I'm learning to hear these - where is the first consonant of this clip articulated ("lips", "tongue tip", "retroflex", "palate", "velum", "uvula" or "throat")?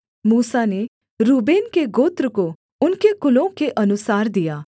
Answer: lips